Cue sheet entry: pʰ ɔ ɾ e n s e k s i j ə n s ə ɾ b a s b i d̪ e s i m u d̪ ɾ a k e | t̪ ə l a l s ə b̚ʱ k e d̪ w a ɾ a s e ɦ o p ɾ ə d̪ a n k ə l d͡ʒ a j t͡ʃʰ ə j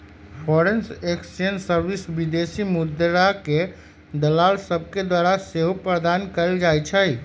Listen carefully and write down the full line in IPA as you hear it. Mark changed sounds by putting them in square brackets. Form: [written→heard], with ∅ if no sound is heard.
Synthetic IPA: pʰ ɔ ɾ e n s e k s i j ə n s ə ɾ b [a→i] s b i d̪ e s i m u d̪ ɾ a k e | [t̪→d̪] ə l a l s ə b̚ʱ k e d̪ w a ɾ a s e ɦ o p ɾ ə d̪ a n k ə l d͡ʒ a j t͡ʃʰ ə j